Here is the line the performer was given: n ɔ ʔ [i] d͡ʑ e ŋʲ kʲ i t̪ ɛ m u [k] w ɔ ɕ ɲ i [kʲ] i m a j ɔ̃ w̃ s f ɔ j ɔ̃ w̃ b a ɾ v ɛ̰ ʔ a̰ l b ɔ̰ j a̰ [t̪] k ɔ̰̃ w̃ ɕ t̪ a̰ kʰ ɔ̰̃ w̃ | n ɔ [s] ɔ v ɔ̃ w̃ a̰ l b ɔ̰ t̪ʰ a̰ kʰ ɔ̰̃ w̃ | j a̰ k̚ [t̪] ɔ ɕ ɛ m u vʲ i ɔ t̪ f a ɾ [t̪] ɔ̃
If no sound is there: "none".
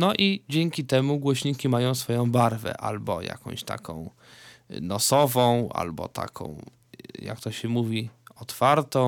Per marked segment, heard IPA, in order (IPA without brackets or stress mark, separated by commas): i, ɡ, kʲ, none, s, t̪, t̪